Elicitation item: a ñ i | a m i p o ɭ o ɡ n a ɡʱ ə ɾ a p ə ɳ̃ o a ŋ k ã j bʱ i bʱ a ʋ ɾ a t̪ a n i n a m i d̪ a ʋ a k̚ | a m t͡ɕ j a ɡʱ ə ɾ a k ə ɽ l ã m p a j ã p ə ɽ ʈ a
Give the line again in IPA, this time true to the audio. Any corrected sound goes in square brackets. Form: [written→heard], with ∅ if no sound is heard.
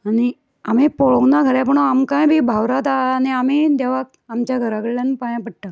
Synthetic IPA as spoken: a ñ i | a m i p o ɭ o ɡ n a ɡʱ ə ɾ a p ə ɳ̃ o a [ŋ→m] k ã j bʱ i bʱ a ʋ ɾ a t̪ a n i [n→∅] a m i d̪ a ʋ a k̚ | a m t͡ɕ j a ɡʱ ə ɾ a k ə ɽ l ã [m→n] p a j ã p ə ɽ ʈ a